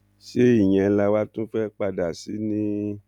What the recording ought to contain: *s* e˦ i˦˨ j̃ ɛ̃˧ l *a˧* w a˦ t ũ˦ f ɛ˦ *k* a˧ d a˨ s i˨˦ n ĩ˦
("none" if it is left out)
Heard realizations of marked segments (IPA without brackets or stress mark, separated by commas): ʃ, a˧, k͡p